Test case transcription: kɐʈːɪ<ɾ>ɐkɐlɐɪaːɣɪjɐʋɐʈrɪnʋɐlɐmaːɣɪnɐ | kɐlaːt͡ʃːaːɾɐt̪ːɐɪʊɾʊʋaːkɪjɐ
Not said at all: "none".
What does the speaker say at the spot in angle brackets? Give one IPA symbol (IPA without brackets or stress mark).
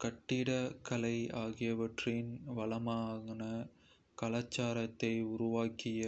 ɽ